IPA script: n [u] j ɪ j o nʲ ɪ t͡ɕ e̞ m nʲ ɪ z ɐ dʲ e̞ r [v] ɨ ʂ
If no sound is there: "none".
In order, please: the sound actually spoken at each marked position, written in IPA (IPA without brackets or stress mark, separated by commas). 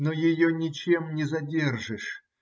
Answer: o, ʐ